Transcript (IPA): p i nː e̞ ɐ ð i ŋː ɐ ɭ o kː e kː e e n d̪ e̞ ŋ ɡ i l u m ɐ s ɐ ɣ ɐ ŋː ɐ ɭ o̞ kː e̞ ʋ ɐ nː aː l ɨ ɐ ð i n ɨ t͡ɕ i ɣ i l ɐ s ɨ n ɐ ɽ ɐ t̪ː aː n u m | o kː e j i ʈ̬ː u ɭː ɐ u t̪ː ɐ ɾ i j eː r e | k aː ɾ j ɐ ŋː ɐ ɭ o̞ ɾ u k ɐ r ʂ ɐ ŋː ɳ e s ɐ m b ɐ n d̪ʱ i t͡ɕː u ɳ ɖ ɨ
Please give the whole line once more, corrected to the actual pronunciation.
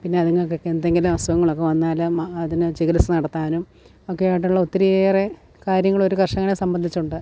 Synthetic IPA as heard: p i nː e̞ ɐ ð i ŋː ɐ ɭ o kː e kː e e n d̪ e̞ ŋ ɡ i l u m ɐ s ɐ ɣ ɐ ŋː ɐ ɭ o̞ kː e̞ ʋ ɐ nː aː l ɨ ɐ ð i n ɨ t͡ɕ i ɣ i l ɐ s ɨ n ɐ ɽ ɐ t̪ː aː n u m | o kː e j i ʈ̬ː u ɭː ɐ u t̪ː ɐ ɾ i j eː r e | k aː ɾ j ɐ ŋː ɐ ɭ o̞ ɾ u k ɐ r ʂ ɐ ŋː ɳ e s ɐ m b ɐ n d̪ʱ i t͡ɕː u ɳ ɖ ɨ